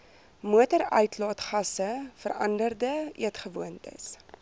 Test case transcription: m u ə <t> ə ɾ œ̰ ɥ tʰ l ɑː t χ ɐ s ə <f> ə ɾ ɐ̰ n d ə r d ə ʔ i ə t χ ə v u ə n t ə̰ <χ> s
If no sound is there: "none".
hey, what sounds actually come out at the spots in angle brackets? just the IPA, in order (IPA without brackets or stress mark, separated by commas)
t, f, none